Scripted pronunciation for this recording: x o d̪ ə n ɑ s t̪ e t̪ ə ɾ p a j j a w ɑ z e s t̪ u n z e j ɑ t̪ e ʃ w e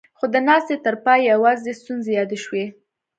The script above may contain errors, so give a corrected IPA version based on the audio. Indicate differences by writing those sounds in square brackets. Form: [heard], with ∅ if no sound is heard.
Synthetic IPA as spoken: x o d̪ ə n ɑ s t̪ e t̪ ə ɾ p [ɑ] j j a w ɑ z e s t̪ u n z e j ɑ [d̪] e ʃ w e

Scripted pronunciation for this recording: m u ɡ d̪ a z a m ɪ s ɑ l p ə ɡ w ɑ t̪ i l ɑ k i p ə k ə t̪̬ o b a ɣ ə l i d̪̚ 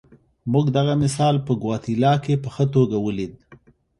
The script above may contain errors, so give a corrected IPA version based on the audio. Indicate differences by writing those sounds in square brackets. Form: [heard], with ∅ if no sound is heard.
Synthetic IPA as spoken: m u ɡ d̪ a [ɣ] a m ɪ s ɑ l p ə ɡ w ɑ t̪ i l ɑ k [e] p ə [x] ə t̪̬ o [ɡ] a [w] ə l i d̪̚

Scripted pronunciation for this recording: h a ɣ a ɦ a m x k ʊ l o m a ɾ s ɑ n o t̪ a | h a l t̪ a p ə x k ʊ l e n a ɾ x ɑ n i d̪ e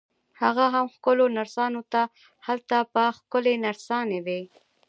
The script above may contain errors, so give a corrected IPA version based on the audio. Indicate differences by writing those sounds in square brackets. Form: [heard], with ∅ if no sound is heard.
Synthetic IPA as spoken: h a ɣ a ɦ a m x k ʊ l o [n] a ɾ s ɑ n o t̪ a | h a l t̪ a p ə x k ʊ l e n a ɾ [s] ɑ n [e] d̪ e

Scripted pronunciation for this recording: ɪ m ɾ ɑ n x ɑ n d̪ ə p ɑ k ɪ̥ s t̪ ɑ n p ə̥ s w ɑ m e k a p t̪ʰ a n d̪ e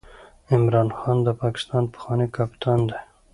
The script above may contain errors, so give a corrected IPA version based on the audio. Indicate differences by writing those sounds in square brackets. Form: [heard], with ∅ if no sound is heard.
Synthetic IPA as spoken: ɪ m ɾ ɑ n x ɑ n d̪ ə p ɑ k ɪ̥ s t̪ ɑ n p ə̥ [x] w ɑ [n] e k a p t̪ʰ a n d̪ e

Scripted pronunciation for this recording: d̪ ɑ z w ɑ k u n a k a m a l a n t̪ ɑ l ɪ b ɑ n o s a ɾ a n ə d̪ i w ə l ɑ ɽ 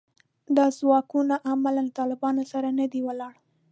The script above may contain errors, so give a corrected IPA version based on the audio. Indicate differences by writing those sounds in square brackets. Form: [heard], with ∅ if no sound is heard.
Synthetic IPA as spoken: d̪ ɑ z w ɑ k u n a [ʔ] a m a l a n t̪ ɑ l ɪ b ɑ n o s a ɾ a n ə d̪ i w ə l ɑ ɽ

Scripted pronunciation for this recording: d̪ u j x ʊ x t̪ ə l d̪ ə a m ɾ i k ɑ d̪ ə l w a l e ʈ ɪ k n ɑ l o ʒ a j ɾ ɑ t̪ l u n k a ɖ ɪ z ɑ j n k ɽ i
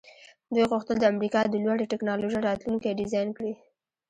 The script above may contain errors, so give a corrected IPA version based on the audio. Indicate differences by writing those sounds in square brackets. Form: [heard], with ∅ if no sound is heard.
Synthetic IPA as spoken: d̪ u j [ɣ] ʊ x t̪ ə l d̪ ə a m ɾ i k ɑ d̪ ə l w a [ɽ] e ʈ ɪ k n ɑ l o ʒ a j ɾ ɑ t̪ l u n k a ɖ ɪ z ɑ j n k ɽ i

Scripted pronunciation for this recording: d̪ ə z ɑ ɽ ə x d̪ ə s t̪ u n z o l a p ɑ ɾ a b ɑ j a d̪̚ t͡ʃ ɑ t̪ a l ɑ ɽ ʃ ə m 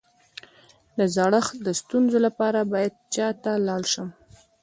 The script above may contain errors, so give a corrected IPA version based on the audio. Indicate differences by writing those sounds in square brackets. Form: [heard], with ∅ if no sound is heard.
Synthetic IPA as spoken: d̪ ə z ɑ ɽ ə x d̪ ə s t̪ u n z o l a p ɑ ɾ a b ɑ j a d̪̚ t͡ʃ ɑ t̪ a l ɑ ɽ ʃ ə m

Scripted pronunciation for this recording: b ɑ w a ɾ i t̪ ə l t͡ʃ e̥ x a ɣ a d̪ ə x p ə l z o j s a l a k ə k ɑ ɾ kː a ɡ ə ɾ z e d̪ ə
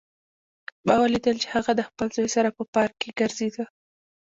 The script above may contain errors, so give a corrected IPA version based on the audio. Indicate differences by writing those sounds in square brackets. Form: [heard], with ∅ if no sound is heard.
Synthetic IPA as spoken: b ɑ w a [l] i [d̪] ə l t͡ʃ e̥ [h] a ɣ a d̪ ə x p ə l z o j s a [ɾ] a [p] ə [p] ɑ ɾ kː [e] ɡ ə ɾ z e d̪ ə

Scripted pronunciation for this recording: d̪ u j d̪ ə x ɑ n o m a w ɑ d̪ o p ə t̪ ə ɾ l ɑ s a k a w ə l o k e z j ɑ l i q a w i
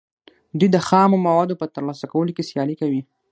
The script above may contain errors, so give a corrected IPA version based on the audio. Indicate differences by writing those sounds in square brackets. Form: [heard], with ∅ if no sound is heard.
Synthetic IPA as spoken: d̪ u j d̪ ə x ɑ [m] o m a w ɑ d̪ o p ə t̪ ə ɾ l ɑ s a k a w ə l o k e [s] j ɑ l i [k] a w i

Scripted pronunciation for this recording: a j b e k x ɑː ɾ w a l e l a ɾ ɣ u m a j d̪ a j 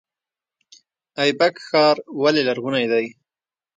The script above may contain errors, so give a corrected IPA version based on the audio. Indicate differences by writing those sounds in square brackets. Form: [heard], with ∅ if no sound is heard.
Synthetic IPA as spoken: a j b [a] k x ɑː ɾ w a l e l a ɾ ɣ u [n] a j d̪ a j

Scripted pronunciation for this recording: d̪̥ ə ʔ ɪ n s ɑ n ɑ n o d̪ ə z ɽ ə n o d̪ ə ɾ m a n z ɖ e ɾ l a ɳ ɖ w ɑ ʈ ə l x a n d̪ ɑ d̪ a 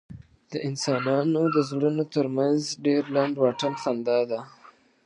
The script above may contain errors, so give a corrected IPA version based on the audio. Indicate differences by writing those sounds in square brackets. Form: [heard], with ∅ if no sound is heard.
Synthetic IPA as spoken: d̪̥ ə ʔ ɪ n s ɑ n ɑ n o d̪ ə z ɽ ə n o [t̪] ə ɾ m a n z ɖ e ɾ l a ɳ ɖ w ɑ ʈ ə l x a n d̪ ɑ d̪ a

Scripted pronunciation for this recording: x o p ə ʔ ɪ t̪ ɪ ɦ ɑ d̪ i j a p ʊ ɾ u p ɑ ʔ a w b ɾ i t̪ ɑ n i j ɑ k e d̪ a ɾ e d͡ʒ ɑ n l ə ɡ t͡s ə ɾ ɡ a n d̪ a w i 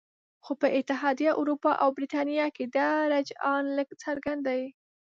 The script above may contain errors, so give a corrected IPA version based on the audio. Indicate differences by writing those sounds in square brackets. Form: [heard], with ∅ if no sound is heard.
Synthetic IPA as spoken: x o p ə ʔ ɪ t̪ ɪ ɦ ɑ d̪ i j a [ʔ] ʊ ɾ u p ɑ ʔ a w b ɾ i t̪ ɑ n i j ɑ k e d̪ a ɾ [a] d͡ʒ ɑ n l ə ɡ t͡s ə ɾ ɡ a n d̪ a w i

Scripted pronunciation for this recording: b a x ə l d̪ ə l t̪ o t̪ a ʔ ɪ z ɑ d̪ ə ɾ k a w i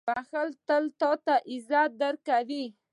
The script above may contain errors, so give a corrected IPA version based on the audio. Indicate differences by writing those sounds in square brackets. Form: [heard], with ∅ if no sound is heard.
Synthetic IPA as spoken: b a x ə l [t̪] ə l t̪ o t̪ a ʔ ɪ z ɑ d̪ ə ɾ k a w i

